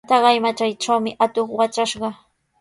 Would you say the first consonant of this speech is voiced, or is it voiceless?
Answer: voiceless